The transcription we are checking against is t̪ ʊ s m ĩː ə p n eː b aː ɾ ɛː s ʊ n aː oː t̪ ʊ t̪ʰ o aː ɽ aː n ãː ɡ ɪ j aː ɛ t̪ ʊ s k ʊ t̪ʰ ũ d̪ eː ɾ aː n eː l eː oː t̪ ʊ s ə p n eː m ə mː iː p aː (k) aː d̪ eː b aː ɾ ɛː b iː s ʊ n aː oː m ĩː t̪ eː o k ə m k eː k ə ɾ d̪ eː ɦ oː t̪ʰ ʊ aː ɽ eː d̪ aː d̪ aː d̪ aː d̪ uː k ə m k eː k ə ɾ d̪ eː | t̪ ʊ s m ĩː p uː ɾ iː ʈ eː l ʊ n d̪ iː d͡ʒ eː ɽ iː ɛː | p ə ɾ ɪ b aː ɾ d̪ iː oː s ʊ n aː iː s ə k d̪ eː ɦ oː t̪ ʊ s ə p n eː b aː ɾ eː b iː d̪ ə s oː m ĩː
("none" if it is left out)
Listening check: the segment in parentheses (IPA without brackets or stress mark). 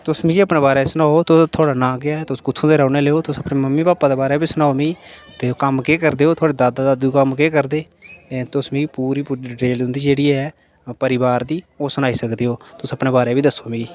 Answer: p